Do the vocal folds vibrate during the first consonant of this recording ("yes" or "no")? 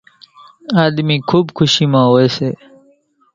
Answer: yes